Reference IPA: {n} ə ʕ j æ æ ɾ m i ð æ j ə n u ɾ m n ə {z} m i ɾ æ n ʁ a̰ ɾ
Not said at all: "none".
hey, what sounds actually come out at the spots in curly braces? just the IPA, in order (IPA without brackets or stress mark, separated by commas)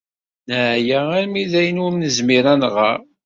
n, z